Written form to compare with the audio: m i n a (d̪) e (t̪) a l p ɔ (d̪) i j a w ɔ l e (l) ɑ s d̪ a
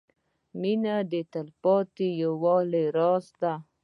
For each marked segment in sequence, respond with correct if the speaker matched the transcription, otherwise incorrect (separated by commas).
correct, correct, incorrect, incorrect